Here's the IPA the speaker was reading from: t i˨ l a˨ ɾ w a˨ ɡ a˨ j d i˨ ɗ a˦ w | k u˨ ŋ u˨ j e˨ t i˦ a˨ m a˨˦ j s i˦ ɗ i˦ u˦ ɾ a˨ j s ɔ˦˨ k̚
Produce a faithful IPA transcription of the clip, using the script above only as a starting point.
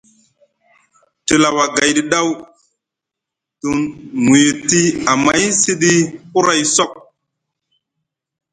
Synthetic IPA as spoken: t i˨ l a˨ w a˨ ɡ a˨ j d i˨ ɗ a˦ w | t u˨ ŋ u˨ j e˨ t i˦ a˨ m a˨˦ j s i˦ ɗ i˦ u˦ ɾ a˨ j s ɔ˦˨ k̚